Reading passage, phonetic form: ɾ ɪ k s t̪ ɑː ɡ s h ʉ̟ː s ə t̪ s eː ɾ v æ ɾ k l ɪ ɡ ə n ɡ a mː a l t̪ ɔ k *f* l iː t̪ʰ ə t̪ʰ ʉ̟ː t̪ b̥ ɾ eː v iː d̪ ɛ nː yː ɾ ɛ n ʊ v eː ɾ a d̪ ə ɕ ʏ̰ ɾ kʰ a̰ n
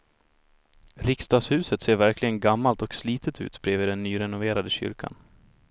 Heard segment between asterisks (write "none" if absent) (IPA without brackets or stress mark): s